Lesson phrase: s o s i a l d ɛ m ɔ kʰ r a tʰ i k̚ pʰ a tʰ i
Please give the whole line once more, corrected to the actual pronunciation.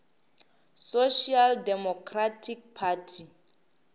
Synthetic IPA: s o ʃ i a l d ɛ m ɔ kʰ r a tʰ i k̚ pʰ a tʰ i

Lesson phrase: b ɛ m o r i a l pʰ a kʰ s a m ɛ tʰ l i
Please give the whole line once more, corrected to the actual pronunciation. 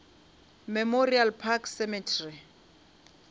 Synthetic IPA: m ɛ m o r i a l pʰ a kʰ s ɛ m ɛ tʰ r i

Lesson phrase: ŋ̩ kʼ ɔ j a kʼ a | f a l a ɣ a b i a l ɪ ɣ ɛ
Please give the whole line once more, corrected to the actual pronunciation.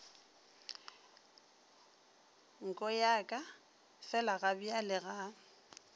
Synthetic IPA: ŋ̩ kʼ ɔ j a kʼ a | f ɛ l a ɣ a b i a l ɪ ɣ a

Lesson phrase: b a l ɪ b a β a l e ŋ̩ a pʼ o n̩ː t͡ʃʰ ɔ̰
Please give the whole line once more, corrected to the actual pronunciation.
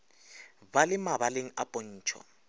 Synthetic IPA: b a l ɪ m a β a l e ŋ̩ a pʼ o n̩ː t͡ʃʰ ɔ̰

